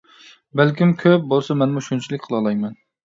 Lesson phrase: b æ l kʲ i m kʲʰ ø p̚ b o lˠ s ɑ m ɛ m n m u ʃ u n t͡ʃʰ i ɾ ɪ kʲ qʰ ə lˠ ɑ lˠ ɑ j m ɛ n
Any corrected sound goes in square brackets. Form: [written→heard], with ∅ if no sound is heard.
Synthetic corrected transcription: b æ l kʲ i m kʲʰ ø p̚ b o lˠ s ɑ m ɛ [m→∅] n m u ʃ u n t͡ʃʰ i [ɾ→l] ɪ kʲ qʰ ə lˠ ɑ lˠ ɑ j m ɛ n